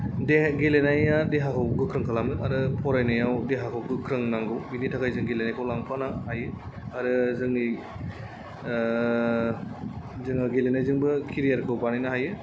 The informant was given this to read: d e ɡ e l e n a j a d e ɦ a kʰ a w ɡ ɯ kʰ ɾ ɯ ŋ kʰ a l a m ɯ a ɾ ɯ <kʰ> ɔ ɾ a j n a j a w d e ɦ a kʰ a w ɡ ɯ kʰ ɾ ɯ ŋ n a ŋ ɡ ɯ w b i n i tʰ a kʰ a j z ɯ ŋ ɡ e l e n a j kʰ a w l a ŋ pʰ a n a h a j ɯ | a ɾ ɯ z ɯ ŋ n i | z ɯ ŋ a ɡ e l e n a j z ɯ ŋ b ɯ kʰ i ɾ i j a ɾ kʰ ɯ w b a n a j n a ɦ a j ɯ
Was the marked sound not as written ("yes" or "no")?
yes